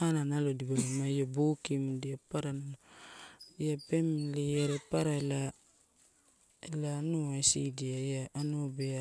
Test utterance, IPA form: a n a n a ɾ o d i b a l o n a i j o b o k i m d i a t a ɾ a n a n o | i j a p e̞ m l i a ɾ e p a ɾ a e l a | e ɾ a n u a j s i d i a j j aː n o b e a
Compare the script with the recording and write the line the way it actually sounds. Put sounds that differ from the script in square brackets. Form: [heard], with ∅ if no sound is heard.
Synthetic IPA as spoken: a n a n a [l] o d i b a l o [m] a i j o b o k i m d i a [p] a ɾ a n a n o | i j a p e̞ m l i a ɾ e p a ɾ a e l a | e [l] a n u a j s i d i a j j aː n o b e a